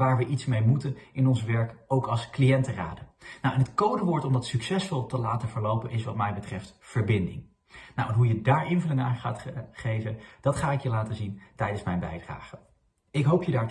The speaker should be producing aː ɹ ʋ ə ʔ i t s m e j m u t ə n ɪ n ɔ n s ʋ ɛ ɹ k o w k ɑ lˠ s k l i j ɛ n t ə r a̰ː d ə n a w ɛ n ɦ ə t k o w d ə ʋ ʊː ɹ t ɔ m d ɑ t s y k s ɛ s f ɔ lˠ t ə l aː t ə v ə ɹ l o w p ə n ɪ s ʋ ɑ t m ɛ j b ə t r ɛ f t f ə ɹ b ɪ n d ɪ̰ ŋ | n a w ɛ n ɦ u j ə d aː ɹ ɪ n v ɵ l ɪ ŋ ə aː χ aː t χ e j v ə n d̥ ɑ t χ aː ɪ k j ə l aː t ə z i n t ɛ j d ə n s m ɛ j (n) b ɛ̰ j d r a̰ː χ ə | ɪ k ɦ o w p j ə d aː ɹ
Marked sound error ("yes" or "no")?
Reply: no